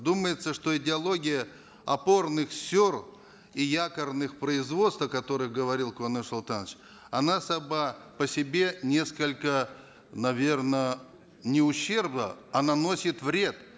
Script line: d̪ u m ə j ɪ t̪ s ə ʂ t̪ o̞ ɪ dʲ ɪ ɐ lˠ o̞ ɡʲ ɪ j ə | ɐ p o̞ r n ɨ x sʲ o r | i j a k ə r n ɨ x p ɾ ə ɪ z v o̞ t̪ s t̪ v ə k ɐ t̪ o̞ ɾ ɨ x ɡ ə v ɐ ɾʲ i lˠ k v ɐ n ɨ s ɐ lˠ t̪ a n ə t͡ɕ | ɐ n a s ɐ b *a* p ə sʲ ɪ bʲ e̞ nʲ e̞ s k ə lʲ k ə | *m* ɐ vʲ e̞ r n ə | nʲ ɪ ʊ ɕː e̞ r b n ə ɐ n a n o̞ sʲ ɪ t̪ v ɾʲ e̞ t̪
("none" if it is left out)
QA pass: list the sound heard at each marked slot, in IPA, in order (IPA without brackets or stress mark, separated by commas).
a, n